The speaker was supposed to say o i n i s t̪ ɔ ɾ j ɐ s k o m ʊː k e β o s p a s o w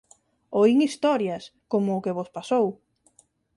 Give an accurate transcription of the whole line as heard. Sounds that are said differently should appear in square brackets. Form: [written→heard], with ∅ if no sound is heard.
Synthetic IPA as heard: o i [n→ŋ] i s t̪ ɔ ɾ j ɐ s k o m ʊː k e β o s p a s o w